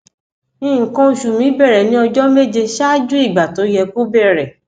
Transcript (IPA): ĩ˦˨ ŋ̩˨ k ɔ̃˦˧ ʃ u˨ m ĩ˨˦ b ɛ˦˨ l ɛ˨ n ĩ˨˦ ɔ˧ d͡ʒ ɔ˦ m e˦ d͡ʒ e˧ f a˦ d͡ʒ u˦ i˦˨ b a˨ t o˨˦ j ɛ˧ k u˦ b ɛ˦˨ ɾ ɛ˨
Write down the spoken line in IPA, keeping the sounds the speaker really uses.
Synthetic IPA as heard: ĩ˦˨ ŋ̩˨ k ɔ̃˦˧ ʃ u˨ m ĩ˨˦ b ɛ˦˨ ɾ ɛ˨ n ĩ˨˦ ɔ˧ d͡ʒ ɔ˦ m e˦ d͡ʒ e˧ ʃ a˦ d͡ʒ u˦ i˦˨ ɡ͡b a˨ t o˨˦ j ɛ˧ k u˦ b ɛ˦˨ ɾ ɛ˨